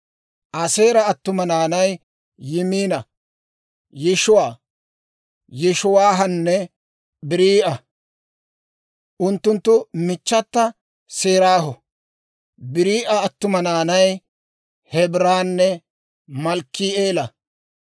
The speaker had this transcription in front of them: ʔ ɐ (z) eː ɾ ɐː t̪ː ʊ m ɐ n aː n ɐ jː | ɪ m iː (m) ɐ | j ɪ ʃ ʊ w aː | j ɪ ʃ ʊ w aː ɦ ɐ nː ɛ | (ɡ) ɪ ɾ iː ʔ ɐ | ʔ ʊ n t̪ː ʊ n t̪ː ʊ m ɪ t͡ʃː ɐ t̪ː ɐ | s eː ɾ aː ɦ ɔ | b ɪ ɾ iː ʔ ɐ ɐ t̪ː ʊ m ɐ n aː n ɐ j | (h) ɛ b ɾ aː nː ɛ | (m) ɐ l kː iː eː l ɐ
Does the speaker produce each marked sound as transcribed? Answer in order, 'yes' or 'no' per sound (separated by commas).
no, no, no, yes, yes